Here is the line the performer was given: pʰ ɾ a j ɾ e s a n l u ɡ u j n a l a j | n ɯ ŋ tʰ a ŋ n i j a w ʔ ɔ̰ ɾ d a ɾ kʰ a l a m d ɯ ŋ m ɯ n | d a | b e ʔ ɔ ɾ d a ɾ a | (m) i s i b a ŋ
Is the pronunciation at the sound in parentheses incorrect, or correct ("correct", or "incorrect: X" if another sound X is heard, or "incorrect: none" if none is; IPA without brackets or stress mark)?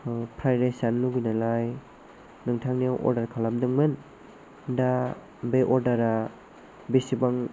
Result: incorrect: b